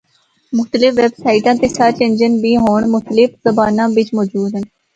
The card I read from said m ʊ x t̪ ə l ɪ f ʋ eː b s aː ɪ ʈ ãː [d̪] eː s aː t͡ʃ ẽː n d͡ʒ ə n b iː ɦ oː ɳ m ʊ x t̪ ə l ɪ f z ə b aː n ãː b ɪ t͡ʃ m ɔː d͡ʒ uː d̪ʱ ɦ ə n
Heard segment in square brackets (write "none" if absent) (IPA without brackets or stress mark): t̪